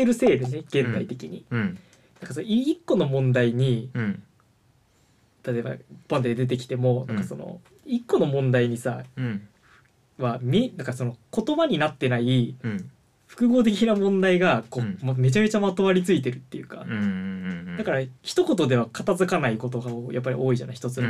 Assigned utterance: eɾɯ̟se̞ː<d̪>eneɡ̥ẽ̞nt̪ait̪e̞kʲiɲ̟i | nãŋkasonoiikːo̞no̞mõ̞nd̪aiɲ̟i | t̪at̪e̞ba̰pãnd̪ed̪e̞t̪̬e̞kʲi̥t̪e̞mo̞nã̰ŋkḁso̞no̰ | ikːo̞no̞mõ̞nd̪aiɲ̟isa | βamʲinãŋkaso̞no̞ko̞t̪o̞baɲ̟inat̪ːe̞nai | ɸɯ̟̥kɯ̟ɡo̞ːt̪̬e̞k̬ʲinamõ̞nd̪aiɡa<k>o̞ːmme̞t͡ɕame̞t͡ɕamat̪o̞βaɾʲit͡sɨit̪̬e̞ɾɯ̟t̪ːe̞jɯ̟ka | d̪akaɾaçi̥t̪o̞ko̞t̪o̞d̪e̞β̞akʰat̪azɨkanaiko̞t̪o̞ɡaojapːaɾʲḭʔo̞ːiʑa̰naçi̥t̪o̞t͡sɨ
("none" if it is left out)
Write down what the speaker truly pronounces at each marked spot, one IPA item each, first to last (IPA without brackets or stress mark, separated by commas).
d̪, k